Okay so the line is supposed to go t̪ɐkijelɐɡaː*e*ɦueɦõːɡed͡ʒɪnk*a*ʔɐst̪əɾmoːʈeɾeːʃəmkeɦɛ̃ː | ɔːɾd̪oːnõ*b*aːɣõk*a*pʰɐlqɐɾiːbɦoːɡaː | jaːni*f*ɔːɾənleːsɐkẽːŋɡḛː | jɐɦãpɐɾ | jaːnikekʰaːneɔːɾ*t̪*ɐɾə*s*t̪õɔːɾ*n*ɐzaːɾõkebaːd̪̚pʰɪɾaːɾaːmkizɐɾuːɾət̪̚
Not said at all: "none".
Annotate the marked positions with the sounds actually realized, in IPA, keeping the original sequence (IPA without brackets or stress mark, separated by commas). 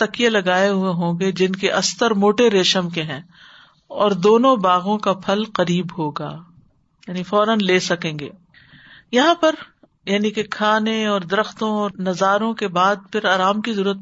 e, e, b, a, f, d̪, x, n